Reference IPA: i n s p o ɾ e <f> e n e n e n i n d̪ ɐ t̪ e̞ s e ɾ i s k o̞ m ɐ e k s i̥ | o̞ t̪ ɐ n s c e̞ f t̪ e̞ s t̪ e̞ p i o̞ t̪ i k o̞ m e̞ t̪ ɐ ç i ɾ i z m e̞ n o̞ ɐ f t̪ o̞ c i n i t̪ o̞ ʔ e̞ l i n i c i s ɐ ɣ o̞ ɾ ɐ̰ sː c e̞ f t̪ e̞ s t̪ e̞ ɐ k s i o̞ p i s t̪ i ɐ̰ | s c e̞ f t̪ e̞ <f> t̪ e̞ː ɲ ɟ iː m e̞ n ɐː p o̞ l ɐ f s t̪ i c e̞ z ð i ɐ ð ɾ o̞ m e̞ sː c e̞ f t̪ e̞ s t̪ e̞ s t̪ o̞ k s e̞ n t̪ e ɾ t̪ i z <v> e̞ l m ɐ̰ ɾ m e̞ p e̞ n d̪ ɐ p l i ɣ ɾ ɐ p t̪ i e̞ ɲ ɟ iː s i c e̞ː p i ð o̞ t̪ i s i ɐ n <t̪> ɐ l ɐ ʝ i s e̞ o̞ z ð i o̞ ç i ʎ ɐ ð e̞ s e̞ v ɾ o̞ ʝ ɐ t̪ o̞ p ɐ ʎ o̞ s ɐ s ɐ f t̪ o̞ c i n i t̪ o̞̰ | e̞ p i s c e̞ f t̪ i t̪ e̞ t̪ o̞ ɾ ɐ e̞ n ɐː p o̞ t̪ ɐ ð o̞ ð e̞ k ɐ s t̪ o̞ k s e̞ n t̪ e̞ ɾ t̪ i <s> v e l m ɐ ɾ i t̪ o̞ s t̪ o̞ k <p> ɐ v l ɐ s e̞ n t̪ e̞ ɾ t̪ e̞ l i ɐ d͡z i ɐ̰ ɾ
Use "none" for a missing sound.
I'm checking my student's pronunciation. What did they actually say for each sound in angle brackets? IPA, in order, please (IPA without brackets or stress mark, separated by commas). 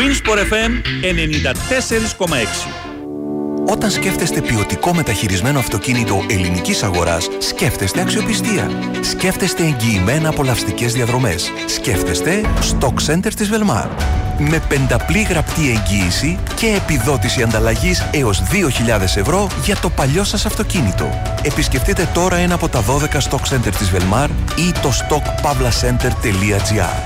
f, s, v, d̪, z, p